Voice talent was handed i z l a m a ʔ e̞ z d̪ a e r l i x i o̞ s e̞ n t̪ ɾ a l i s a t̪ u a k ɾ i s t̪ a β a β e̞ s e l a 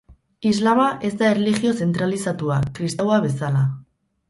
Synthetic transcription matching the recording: i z l a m a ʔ e̞ z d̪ a e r l i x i o̞ s e̞ n t̪ ɾ a l i s a t̪ u a k ɾ i s t̪ a w a β e̞ s a l a